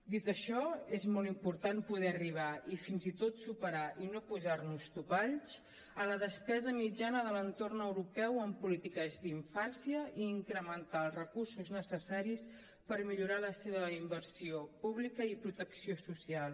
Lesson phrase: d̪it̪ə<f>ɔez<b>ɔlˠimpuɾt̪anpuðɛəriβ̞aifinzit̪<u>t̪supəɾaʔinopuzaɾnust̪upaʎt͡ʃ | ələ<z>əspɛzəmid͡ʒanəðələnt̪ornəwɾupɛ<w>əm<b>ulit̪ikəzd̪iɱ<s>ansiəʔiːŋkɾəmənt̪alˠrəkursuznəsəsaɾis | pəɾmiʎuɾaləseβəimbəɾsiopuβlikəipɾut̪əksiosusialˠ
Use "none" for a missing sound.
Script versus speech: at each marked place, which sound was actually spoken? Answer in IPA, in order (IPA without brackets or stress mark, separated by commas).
ʃ, m, o, ð, w, p, f